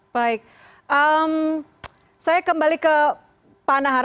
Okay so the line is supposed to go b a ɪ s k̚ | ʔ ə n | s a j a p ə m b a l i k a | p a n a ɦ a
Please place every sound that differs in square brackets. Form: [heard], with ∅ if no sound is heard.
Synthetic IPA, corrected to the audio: b a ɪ [∅] k̚ | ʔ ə [m] | s a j a [k] ə m b a l i k [ə] | p a n a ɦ a

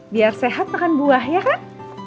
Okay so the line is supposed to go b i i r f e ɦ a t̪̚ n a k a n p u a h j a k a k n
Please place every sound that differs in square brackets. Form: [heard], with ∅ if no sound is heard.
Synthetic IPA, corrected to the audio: b i [a] r [s] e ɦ a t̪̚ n a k a n [b] u a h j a k a [∅] n

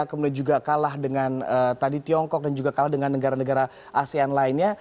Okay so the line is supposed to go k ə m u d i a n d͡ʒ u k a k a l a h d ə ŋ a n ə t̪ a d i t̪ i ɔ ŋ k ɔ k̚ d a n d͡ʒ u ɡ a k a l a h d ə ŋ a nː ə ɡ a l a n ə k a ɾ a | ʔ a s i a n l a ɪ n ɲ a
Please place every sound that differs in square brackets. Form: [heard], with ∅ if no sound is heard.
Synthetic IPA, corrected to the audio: k ə m u d i a n d͡ʒ u [ɡ] a k a l a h d ə ŋ a n ə t̪ a d i t̪ i ɔ ŋ k ɔ k̚ d a n d͡ʒ u ɡ a k a l a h d ə ŋ a nː ə ɡ a [ɾ] a n ə [ɡ] a ɾ a | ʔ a s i a n l a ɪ n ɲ a

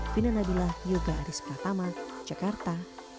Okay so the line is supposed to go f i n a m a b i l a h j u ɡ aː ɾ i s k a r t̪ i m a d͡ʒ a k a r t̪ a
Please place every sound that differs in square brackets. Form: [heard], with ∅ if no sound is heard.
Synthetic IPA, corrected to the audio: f i n a [n] a b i l a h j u ɡ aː ɾ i s [p] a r t̪ [a] m a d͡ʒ a k a r t̪ a

